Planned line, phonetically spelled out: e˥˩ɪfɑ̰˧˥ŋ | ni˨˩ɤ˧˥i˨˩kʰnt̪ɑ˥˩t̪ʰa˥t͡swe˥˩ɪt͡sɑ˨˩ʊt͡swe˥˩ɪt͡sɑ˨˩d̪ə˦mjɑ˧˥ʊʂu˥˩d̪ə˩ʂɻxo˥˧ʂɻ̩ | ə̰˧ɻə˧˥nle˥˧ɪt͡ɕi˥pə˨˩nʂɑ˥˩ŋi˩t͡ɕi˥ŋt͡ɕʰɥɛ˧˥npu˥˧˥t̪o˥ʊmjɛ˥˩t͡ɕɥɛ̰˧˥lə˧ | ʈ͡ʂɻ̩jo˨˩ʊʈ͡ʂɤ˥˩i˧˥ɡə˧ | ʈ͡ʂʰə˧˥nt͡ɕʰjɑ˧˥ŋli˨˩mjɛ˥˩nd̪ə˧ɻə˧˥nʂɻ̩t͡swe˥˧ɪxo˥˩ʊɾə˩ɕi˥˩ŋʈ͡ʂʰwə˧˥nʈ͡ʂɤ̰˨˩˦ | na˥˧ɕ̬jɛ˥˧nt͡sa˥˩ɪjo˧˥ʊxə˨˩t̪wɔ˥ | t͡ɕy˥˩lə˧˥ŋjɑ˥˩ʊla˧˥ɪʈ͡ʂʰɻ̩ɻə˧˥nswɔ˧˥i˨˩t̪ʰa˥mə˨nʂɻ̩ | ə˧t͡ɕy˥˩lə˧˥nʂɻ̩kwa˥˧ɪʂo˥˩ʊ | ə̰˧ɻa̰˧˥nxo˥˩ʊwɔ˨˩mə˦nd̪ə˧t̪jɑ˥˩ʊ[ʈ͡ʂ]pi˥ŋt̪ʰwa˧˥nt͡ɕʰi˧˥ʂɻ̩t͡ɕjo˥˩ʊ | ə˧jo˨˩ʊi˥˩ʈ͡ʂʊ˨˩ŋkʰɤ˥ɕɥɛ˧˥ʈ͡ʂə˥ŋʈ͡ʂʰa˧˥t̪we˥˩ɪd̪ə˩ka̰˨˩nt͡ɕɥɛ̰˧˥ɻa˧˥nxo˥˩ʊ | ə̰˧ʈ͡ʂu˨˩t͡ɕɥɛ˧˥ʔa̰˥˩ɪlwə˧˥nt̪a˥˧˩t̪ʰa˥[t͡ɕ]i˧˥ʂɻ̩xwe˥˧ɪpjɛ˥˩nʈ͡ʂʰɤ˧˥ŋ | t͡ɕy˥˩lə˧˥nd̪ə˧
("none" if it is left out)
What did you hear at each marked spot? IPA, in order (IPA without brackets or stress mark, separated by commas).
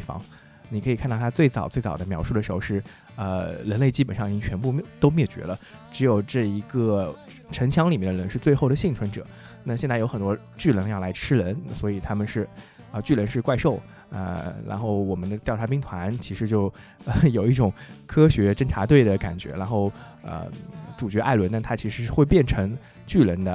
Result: ʈ͡ʂʰ, t͡ɕʰ